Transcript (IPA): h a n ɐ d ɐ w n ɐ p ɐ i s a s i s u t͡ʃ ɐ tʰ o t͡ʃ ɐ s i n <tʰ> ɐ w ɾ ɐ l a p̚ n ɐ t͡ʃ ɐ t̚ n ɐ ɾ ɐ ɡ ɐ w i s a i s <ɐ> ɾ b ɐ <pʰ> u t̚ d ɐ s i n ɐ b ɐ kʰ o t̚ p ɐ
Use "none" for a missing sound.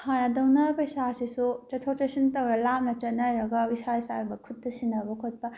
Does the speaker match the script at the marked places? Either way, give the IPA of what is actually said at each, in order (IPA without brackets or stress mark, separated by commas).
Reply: t, a, kʰ